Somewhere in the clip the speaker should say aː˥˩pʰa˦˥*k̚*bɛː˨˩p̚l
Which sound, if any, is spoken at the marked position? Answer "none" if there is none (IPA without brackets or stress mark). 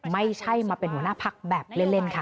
k̚